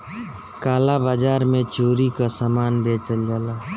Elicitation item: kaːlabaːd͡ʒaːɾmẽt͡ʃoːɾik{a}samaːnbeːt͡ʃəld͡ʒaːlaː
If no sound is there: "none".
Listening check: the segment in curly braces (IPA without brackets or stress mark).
a